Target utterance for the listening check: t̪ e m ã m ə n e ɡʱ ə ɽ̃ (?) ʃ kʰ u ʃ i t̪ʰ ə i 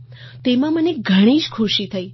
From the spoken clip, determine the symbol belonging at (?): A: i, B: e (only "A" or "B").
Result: A